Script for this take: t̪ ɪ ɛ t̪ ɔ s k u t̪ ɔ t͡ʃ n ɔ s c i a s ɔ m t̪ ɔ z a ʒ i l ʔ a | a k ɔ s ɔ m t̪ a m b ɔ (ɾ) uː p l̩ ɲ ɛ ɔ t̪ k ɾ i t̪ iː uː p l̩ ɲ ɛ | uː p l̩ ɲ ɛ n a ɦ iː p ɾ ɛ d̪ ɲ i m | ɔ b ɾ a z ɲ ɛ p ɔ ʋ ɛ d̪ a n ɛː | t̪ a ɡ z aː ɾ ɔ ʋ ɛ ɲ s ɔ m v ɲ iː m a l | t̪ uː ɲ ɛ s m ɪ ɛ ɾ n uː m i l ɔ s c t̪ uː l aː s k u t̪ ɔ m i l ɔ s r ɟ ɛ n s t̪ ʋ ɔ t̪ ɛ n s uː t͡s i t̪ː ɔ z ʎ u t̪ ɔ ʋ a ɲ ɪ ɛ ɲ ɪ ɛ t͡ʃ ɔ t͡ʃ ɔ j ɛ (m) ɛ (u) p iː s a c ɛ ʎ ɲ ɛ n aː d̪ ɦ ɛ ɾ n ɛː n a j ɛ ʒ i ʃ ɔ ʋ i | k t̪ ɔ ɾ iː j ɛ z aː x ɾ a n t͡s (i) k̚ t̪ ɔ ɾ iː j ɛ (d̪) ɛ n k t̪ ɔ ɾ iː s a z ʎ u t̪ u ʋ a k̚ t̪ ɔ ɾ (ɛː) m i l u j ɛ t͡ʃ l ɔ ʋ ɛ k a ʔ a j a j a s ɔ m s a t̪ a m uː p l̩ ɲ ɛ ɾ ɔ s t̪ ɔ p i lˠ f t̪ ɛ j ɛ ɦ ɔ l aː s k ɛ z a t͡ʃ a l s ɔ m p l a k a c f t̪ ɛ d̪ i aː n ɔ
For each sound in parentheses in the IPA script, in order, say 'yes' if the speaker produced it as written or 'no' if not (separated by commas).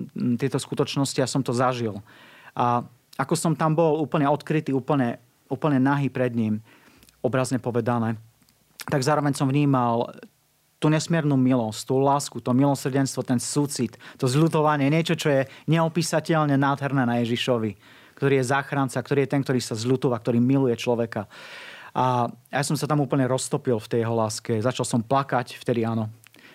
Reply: no, no, no, no, no, no